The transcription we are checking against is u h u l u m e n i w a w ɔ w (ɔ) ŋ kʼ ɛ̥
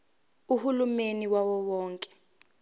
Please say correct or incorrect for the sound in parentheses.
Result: incorrect